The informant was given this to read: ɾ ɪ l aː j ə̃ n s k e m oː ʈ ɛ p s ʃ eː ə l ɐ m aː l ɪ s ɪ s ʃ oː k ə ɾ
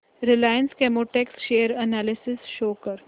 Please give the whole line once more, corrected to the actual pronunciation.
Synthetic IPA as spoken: ɾ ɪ l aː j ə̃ n s k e m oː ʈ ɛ k s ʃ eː ə ɾ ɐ n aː l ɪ s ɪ s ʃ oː k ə ɾ